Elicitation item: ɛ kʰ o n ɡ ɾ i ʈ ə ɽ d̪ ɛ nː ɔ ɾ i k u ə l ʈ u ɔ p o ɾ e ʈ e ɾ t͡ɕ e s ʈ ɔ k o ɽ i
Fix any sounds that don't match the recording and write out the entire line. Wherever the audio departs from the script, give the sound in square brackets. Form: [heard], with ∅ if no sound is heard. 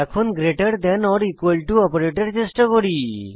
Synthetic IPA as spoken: ɛ kʰ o n ɡ ɾ [e] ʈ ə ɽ d̪ ɛ [n] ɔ ɾ i k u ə l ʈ u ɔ p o ɾ e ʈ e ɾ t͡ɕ e s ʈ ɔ k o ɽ i